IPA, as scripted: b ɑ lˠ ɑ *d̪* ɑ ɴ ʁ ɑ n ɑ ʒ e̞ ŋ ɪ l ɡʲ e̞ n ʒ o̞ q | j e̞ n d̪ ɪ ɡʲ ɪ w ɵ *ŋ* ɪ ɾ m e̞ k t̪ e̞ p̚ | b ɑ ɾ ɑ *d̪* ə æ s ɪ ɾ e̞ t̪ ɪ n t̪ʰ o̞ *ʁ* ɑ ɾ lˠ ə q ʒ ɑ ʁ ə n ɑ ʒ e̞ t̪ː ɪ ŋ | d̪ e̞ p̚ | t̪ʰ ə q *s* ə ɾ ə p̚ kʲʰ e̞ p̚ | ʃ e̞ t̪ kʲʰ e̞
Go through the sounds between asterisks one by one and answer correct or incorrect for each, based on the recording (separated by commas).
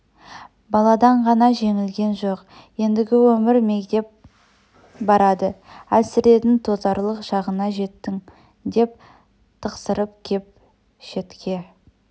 correct, incorrect, correct, incorrect, correct